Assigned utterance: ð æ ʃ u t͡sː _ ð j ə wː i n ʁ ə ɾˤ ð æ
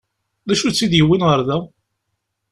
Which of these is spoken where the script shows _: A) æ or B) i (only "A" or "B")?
B